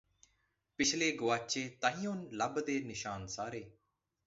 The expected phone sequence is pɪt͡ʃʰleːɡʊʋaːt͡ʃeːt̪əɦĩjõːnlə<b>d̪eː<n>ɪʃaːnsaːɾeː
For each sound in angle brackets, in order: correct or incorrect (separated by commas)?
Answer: correct, correct